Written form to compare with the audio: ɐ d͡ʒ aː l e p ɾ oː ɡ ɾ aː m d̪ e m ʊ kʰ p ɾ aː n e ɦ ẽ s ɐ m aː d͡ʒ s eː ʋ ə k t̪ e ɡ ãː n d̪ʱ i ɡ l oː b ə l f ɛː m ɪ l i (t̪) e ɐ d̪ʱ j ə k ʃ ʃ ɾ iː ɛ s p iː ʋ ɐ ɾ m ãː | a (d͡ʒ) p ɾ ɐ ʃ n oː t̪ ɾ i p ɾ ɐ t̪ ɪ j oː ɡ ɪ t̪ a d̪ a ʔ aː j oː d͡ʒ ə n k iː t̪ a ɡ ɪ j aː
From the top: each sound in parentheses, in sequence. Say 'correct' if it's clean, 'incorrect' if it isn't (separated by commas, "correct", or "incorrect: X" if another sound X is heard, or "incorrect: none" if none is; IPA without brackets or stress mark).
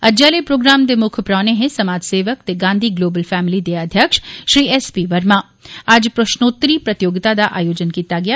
incorrect: d̪, correct